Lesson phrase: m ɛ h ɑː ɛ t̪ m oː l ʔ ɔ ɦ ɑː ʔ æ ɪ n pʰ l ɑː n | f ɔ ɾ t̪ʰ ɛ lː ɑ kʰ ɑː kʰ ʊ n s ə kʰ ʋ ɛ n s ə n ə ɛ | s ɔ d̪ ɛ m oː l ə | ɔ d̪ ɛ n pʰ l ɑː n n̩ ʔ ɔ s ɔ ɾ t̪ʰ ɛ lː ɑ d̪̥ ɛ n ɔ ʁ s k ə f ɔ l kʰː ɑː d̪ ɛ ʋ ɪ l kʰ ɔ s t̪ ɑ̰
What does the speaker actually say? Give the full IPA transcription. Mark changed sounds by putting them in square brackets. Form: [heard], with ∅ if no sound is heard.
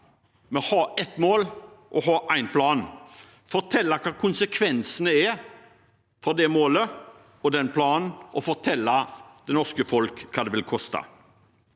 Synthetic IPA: m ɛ h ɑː ɛ t̪ m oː l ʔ ɔ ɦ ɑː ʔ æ ɪ n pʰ l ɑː n | f ɔ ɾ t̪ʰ ɛ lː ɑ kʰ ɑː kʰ ʊ n s ə kʰ ʋ ɛ n s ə n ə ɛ | [f] ɔ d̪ ɛ m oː l ə | ɔ d̪ ɛ n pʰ l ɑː n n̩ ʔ ɔ [f] ɔ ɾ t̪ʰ ɛ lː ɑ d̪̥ ɛ n ɔ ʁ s k ə f ɔ l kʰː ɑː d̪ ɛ ʋ ɪ l kʰ ɔ s t̪ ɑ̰